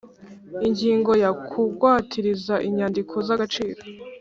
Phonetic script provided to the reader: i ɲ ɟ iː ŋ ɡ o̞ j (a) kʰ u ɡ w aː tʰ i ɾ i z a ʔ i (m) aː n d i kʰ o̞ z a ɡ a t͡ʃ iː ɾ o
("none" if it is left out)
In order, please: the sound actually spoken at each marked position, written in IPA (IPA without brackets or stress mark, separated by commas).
a, ɲ